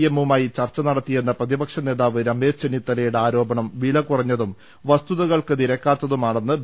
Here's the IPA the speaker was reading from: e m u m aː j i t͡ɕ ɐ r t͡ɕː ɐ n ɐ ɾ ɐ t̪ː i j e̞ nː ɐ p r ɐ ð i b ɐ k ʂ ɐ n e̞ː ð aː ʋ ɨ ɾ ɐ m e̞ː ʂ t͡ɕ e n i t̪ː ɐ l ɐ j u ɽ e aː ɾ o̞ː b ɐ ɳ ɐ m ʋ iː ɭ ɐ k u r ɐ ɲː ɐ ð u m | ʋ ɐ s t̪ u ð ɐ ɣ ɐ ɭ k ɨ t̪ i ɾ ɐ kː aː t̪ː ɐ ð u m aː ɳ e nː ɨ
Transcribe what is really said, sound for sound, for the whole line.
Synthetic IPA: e m u m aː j i t͡ɕ ɐ r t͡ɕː ɐ n ɐ ɽ ɐ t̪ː i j e̞ nː ɐ p r ɐ ð i b ɐ k ʂ ɐ n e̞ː ð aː ʋ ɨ ɾ ɐ m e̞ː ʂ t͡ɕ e n i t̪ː ɐ l ɐ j u ɽ e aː ɾ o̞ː b ɐ ɳ ɐ m ʋ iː ɭ ɐ k u r ɐ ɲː ɐ ð u m | ʋ ɐ s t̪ u ð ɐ ɣ ɐ ɭ k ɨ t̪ i ɾ ɐ kː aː t̪ː ɐ ð u m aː ɳ e nː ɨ